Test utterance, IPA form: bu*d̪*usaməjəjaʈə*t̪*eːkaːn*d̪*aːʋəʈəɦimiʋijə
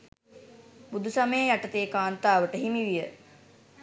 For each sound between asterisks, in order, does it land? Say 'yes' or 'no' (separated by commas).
yes, yes, no